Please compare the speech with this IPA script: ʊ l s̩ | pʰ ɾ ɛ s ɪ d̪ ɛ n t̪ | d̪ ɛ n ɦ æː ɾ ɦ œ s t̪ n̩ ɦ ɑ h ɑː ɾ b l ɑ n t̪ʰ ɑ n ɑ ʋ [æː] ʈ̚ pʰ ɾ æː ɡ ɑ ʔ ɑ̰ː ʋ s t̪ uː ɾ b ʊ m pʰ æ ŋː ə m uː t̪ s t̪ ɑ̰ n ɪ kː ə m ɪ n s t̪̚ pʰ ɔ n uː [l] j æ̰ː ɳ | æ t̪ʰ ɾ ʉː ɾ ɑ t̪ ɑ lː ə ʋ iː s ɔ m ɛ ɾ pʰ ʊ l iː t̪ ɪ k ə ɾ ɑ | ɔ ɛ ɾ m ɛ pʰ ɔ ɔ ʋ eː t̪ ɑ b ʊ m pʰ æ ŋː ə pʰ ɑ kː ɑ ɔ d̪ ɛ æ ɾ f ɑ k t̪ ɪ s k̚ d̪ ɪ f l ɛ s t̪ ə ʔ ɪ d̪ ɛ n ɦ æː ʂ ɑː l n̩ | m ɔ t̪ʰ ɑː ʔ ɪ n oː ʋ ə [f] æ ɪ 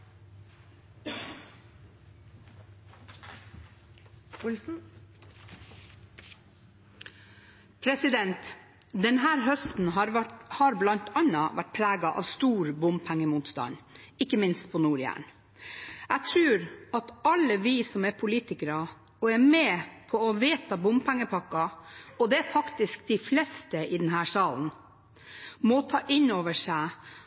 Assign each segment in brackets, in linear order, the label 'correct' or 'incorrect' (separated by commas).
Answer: incorrect, incorrect, incorrect